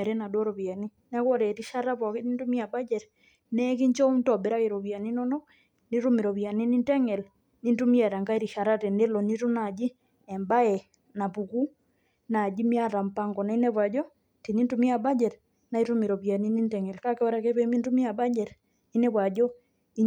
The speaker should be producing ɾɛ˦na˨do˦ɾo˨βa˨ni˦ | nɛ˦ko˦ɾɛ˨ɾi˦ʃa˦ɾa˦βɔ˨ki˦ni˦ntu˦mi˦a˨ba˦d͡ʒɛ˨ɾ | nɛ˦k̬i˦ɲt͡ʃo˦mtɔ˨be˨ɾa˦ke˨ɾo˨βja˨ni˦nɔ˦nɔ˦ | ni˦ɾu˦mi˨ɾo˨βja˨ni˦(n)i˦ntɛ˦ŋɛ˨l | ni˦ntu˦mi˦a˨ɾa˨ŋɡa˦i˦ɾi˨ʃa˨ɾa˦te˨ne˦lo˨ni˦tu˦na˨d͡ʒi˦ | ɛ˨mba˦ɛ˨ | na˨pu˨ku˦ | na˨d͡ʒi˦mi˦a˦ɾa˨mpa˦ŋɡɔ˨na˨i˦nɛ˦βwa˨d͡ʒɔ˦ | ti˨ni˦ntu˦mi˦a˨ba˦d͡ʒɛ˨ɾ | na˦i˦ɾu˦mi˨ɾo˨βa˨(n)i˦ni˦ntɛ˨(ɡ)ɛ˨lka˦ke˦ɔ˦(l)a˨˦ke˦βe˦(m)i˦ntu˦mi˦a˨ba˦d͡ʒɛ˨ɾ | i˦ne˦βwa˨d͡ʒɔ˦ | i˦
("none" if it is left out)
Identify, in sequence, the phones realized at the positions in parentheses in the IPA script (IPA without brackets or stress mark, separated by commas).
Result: n, n, ŋ, ɾ, m